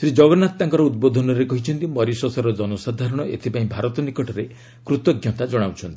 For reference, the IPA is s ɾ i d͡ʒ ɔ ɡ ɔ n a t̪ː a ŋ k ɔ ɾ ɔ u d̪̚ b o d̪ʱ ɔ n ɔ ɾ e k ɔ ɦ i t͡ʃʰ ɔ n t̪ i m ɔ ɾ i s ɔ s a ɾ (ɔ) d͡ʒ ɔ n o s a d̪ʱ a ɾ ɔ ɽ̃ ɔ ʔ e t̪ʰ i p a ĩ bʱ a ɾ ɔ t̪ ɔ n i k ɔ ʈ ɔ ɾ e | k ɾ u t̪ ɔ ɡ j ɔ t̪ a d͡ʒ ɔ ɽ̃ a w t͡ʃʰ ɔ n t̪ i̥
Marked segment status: correct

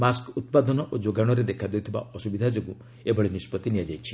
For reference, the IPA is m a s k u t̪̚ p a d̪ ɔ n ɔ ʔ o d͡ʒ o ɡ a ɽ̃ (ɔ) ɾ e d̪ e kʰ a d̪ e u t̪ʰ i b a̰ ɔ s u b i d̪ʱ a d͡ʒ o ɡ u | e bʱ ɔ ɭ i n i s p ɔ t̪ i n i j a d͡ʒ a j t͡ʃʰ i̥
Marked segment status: correct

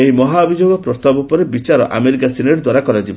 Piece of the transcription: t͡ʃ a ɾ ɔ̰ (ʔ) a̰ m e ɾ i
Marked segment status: correct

